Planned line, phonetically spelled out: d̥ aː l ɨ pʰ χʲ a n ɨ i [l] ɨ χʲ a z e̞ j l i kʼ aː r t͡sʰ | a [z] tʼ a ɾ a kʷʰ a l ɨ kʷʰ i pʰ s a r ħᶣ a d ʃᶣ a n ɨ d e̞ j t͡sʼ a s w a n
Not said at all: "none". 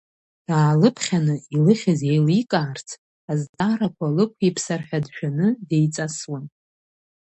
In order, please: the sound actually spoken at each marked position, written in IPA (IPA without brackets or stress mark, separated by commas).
l, z